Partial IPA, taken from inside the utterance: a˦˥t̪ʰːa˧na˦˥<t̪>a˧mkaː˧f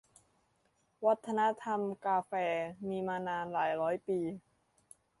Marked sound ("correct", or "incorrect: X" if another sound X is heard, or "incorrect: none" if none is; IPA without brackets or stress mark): incorrect: t̪ʰ